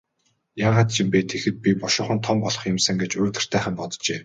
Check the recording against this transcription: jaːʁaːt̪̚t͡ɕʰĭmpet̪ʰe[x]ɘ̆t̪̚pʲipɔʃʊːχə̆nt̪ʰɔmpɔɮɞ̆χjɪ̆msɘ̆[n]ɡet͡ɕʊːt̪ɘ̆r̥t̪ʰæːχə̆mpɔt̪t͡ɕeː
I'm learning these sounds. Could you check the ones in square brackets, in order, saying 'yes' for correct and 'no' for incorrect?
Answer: yes, no

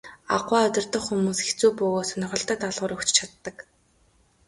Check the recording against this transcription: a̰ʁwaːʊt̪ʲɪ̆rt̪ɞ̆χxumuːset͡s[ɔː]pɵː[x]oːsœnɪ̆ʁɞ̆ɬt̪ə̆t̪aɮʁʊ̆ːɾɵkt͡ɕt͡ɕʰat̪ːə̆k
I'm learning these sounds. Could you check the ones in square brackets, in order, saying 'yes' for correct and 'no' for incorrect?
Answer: no, no

